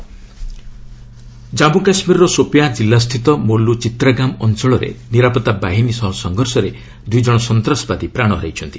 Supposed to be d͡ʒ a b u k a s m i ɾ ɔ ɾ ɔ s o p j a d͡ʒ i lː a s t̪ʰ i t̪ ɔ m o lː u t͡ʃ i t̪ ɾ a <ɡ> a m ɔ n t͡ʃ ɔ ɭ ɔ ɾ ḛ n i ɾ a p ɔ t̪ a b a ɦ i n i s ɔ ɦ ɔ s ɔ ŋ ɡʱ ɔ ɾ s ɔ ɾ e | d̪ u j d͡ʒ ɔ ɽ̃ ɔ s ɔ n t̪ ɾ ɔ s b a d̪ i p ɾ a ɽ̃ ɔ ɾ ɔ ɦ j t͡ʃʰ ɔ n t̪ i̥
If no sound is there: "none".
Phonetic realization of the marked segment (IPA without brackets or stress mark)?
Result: ɡ